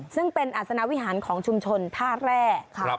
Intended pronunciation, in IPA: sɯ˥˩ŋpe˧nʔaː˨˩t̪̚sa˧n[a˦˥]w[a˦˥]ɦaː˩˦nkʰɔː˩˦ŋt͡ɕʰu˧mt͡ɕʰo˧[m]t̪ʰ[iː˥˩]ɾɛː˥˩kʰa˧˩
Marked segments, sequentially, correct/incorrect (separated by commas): correct, incorrect, incorrect, incorrect